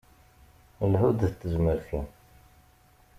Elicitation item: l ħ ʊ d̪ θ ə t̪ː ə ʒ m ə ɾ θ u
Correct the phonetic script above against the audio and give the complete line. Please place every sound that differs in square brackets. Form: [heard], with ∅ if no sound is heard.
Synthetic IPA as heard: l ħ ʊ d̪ θ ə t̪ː ə [z] m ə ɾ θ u